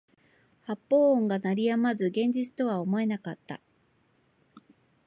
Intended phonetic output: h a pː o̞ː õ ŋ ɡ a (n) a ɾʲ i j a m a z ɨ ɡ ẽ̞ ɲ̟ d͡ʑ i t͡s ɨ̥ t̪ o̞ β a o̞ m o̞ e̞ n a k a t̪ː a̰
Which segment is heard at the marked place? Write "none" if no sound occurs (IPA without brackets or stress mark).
n